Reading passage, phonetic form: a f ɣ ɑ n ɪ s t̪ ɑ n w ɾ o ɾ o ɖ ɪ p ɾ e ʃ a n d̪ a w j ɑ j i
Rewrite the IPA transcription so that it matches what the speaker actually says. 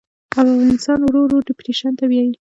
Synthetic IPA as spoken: a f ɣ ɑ n ɪ s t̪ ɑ n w ɾ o ɾ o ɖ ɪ p ɾ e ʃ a n t̪ a w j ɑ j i

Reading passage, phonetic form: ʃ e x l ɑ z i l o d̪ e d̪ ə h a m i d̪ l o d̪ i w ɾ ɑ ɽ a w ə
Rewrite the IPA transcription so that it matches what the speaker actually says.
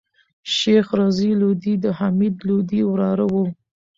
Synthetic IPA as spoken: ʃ e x ɾ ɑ z i l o d̪ i d̪ ə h a m i d̪ l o d̪ i w ɾ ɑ ɾ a w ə

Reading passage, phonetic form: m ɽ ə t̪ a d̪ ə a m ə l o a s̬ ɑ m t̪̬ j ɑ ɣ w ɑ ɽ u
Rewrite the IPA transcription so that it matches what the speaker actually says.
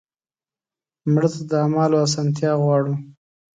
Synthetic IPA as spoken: m ɽ ə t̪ a d̪ ə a m ɑ l o a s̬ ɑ n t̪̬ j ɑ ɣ w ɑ ɽ u

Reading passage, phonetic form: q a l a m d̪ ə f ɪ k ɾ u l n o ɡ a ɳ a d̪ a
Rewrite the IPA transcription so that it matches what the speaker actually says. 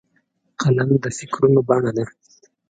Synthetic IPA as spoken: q a l a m d̪ ə f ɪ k ɾ u n o b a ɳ a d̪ a

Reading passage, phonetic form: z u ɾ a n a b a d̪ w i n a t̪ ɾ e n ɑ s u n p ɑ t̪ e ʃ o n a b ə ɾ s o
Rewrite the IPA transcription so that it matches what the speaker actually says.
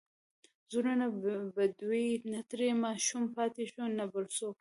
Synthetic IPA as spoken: z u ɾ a n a b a d̪ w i n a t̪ ɾ e m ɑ ʃ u m p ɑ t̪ e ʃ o n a b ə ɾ s o

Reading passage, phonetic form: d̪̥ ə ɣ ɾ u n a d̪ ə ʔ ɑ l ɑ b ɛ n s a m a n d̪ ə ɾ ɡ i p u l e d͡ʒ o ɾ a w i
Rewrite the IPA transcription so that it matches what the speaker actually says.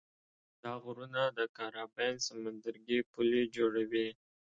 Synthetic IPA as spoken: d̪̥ ɑ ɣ ɾ u n a d̪ ə k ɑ ɾ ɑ b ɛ n s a m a n d̪ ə ɾ ɡ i p u l e d͡ʒ o ɽ a w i

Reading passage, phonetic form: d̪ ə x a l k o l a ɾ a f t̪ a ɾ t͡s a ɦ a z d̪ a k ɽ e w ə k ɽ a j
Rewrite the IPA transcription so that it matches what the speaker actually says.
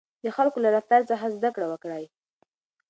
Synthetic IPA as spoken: d̪ ə x a l k o l a ɾ a f t̪ a ɾ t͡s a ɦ a z d̪ a k ɽ a w ə k ɽ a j

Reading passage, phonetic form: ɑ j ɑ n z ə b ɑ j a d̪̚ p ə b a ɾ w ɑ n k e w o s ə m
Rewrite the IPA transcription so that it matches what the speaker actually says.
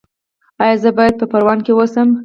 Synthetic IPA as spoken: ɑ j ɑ z ə b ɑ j a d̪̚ p ə p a ɾ w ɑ n k e w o s ə m

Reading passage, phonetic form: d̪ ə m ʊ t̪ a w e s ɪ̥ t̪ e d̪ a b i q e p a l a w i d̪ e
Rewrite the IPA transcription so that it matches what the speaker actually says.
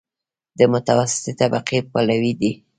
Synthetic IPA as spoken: d̪ ə m ʊ t̪ a w a s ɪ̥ t̪ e t̪ a b a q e p a l a w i d̪ i

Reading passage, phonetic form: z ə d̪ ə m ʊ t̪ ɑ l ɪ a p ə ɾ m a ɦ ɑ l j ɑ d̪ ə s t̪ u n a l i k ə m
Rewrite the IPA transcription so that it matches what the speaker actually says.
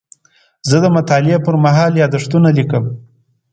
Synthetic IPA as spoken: z ə d̪ ə m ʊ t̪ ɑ l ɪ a p ə ɾ m a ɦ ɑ l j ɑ d̪ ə ʂ t̪ u n a l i k ə m

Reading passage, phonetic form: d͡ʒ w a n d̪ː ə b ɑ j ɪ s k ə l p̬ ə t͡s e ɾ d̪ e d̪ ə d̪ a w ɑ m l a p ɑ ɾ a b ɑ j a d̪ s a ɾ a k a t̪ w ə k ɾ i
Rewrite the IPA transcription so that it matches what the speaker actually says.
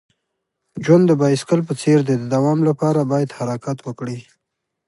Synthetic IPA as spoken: d͡ʒ w a n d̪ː ə b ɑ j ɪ s k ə l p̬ ə t͡s e ɾ d̪ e d̪ ə d̪ a w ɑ m l a p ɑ ɾ a b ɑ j a d̪ h a ɾ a k a t̪ w ə k ɽ i

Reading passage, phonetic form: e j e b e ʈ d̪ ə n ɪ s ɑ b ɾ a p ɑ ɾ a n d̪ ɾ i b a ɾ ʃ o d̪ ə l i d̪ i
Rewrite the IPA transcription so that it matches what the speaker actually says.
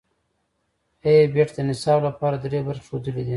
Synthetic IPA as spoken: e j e b e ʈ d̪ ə n ɪ s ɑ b l a p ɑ ɾ a d̪ ɾ e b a ɾ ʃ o d̪ ə l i d̪ i

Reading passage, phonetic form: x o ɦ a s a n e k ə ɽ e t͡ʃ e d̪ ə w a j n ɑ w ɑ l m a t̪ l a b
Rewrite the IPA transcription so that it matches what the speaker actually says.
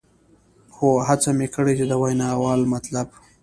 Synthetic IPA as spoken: x o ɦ a t͡s a m e k ə ɽ e t͡ʃ e d̪ ə w a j n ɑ w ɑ l m a t̪ l a b

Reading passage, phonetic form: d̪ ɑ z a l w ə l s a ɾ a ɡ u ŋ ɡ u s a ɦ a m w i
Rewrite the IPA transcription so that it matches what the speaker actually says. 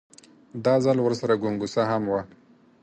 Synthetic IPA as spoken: d̪ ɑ z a l w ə ɾ s a ɾ a ɡ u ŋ ɡ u s a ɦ a m w a

